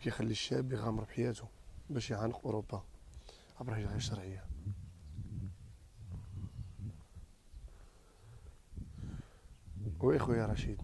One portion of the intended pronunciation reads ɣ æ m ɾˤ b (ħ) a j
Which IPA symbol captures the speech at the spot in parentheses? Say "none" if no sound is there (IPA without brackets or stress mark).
ħ